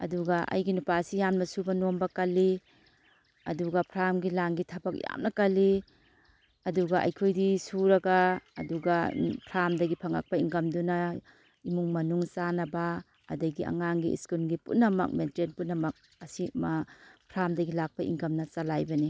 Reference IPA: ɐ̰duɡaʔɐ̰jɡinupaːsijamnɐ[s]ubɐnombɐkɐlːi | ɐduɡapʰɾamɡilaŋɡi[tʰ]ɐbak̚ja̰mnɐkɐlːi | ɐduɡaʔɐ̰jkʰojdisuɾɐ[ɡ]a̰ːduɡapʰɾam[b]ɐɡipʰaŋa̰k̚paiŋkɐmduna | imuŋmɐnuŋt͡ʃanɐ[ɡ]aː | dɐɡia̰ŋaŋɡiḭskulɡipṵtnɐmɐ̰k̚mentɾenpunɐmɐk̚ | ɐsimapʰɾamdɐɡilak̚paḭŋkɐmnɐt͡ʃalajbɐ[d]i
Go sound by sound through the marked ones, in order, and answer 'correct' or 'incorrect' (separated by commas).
correct, correct, correct, incorrect, incorrect, incorrect